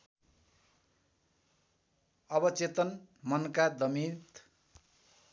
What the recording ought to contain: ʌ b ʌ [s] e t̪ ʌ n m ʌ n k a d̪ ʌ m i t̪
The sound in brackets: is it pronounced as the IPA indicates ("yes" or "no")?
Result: no